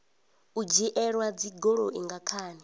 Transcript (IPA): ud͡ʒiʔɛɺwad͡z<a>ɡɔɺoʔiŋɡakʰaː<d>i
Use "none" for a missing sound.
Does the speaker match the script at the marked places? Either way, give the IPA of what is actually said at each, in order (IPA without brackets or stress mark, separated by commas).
i, n